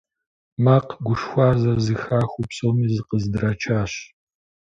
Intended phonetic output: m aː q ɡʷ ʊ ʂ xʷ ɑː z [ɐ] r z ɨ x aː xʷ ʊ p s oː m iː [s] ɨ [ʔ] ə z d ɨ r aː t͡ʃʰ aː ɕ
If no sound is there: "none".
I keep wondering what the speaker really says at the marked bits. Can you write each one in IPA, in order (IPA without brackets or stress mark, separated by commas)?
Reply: ɐ, z, q